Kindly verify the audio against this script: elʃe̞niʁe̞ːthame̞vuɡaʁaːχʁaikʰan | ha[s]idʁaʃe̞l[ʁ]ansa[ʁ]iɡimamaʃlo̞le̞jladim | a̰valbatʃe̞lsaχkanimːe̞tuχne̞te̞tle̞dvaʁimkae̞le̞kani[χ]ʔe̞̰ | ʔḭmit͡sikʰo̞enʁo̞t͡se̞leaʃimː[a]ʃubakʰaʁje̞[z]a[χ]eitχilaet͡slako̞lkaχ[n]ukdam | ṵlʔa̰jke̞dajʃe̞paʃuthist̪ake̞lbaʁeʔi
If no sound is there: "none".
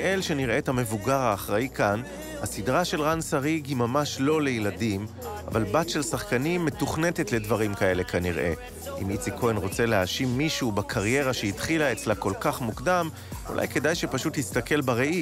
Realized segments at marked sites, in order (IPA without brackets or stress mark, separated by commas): s, ʁ, ʁ, ʁ, i, ʁ, ʃ, m